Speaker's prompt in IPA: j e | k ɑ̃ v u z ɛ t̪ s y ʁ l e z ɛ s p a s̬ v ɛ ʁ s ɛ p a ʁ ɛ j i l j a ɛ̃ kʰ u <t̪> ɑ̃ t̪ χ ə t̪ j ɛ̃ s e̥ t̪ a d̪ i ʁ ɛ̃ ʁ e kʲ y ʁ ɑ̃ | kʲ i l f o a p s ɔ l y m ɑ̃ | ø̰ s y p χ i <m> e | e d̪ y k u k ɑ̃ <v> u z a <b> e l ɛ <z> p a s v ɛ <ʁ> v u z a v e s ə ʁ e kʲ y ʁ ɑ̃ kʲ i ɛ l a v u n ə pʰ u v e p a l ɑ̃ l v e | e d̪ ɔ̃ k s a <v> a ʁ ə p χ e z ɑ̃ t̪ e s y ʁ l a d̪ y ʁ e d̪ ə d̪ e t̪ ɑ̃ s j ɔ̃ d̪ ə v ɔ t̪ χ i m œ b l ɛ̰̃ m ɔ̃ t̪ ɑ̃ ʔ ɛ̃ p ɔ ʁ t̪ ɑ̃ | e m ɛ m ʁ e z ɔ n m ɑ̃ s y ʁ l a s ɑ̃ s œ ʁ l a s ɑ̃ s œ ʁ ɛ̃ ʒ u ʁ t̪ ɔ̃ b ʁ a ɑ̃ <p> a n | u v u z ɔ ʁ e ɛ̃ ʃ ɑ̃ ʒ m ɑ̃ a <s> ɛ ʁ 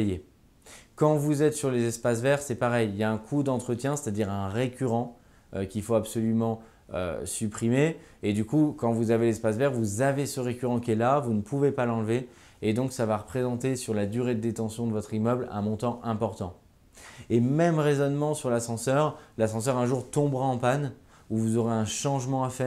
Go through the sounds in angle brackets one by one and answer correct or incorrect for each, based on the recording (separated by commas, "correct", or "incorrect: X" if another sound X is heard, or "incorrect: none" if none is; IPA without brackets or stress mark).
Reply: incorrect: d̪, correct, correct, incorrect: v, incorrect: s, correct, correct, correct, incorrect: f